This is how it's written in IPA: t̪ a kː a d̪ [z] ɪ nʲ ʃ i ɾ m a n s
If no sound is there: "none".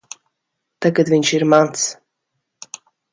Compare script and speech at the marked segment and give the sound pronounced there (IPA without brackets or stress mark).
v